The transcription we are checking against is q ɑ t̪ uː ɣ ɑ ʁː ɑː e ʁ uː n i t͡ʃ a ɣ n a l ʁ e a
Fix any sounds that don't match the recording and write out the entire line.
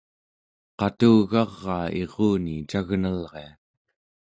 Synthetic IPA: q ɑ t̪ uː ɣ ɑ ʁː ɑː e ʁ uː n i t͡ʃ a ɣ n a l ʁ e a